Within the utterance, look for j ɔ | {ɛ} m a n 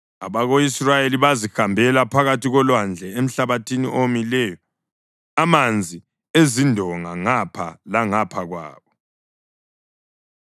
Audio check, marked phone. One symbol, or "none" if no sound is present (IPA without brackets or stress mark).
a